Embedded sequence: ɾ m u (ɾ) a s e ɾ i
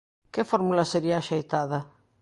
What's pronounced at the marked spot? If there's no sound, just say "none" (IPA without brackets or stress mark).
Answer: l